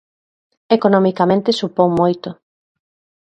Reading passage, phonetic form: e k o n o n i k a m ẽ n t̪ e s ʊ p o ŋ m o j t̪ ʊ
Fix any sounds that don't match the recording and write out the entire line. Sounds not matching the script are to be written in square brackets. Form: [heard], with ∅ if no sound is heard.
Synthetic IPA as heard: e k o n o [m] i k a m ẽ n t̪ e s [u] p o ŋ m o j t̪ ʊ